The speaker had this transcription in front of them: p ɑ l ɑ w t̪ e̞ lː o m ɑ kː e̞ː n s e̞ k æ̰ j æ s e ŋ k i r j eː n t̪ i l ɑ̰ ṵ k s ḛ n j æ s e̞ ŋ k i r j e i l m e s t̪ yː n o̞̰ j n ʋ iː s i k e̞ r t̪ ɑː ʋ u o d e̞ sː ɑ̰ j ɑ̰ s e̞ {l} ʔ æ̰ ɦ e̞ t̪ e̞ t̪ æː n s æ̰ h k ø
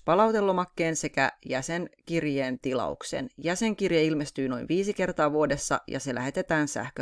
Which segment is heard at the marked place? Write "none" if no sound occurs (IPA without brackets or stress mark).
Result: l